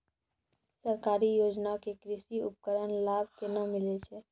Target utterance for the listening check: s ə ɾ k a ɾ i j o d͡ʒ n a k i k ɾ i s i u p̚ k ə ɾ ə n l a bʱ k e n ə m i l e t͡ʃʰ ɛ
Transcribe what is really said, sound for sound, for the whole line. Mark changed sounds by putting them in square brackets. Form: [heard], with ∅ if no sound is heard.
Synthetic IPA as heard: s ə ɾ k a ɾ i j o d͡ʒ n a k [e] k ɾ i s i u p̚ k ə ɾ ə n l a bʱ k e n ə m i l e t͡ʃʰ ɛ